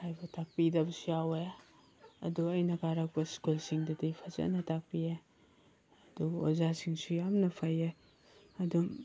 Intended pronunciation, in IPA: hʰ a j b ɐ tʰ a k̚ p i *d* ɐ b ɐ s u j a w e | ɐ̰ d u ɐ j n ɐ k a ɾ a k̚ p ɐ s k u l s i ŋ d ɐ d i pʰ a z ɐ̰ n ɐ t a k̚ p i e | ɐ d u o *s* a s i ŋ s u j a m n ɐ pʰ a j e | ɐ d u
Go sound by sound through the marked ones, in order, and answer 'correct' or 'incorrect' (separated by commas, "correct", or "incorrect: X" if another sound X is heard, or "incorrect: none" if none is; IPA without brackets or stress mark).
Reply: correct, incorrect: z